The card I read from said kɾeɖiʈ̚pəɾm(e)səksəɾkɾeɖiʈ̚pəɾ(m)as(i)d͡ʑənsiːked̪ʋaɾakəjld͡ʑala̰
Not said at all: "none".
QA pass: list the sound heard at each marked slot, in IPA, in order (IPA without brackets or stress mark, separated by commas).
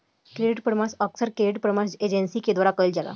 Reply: a, m, e